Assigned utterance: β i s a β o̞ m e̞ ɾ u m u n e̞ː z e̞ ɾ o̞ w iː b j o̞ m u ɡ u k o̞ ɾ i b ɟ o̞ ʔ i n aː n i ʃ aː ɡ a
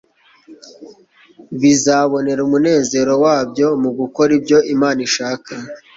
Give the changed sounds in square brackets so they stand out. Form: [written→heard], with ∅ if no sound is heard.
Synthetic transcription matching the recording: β i [s→z] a β o̞ [m→n] e̞ ɾ u m u n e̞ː z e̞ ɾ o̞ w [iː→aː] b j o̞ m u ɡ u k o̞ ɾ i b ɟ o̞ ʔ i [n→m] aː n i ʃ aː [ɡ→k] a